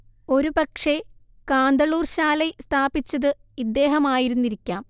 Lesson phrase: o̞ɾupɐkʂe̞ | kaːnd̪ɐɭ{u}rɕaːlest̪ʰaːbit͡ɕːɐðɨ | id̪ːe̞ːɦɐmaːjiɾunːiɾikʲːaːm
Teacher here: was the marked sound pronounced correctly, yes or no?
no